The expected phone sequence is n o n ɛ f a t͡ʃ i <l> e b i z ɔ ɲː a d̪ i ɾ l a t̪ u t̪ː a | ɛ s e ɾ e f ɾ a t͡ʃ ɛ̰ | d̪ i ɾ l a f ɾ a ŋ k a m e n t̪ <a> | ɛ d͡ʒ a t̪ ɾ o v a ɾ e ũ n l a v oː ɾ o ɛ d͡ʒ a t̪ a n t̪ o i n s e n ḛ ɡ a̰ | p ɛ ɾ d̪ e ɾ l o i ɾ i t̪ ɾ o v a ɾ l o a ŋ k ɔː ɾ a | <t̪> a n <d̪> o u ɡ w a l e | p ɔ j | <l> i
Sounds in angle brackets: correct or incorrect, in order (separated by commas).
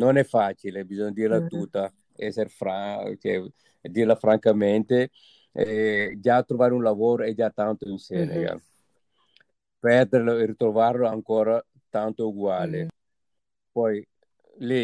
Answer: correct, incorrect, correct, incorrect, correct